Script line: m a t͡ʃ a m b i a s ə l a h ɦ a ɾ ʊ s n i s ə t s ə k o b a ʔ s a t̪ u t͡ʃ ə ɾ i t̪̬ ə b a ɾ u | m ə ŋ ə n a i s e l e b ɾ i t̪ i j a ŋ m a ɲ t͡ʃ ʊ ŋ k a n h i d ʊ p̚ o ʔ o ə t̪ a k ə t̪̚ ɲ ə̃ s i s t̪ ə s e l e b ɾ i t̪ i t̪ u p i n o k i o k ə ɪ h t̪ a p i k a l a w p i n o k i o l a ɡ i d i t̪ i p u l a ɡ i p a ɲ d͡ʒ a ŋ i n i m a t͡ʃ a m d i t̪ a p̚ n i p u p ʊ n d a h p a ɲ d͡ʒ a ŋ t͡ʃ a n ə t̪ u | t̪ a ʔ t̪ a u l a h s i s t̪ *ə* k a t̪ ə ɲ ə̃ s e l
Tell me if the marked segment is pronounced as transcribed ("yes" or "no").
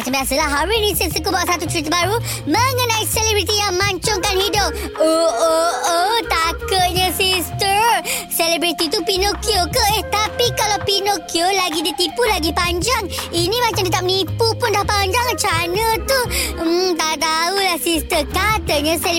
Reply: yes